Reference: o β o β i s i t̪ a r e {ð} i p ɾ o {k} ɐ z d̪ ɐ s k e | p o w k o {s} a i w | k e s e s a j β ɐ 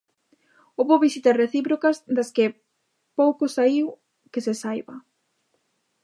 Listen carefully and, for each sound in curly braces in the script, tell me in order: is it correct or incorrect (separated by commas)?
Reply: incorrect, correct, correct